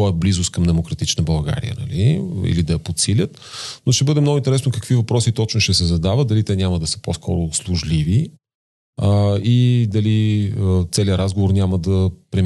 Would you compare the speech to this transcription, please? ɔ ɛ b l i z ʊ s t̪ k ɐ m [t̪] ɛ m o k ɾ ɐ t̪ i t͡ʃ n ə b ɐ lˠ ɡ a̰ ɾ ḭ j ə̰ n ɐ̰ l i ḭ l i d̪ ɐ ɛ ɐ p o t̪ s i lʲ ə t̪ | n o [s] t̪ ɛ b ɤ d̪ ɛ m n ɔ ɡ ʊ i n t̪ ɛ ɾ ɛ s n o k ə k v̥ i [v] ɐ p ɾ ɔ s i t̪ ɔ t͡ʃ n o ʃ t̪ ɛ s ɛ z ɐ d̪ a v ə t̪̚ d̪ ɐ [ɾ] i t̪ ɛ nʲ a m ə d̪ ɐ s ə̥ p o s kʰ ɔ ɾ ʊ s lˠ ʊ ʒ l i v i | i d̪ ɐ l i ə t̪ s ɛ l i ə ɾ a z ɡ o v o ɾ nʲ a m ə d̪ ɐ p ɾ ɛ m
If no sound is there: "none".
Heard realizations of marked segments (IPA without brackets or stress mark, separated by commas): d̪, ʃ, v, l